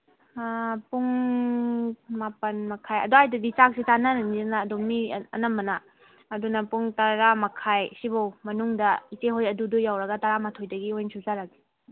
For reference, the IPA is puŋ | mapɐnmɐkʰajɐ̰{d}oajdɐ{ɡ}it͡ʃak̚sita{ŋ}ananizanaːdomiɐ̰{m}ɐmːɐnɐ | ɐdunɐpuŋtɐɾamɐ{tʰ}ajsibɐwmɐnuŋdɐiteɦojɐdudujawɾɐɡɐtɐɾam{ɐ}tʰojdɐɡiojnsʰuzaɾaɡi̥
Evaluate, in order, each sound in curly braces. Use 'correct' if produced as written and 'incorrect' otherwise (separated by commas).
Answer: correct, incorrect, incorrect, incorrect, incorrect, incorrect